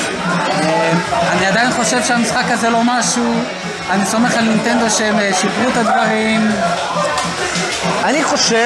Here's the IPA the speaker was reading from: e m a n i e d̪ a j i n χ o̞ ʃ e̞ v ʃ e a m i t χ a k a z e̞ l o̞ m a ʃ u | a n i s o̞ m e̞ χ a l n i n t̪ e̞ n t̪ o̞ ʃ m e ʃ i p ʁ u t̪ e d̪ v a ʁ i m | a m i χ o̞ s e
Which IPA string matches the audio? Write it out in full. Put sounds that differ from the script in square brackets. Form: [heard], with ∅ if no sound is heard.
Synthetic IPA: e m a n i [a] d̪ a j i n χ o̞ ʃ e̞ v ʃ e a m i [s] χ a k a z e̞ l o̞ m a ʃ u | a n i s o̞ m e̞ χ a l n i n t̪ e̞ n [d̪] o̞ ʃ m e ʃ i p ʁ u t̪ [a] d̪ v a ʁ i m | a [n] i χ o̞ [ʃ] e